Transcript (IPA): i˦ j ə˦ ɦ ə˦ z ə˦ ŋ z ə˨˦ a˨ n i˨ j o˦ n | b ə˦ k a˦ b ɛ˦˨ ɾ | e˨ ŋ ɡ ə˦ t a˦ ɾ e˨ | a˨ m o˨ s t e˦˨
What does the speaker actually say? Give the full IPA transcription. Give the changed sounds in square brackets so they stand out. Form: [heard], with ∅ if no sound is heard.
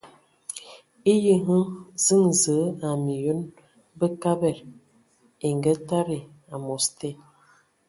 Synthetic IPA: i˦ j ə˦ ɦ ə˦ z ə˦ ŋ z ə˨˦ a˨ [m] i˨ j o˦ n | b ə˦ k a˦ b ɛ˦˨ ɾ | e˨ ŋ ɡ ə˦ t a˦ ɾ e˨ | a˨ m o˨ s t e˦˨